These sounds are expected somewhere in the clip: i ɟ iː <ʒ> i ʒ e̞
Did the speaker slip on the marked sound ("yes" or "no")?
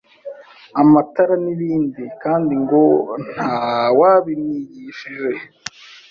yes